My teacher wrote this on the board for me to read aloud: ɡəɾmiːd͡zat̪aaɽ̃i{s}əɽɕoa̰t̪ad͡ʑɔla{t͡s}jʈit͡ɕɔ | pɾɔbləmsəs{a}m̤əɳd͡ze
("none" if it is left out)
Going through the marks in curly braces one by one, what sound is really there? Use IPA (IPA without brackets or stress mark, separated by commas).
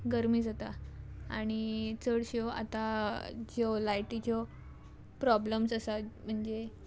t͡s, none, a